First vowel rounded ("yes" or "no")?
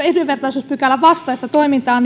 no